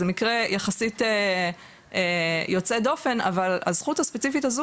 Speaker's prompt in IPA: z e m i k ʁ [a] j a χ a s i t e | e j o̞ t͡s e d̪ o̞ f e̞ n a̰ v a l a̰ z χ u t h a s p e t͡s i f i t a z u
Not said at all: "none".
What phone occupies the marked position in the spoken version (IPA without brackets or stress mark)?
e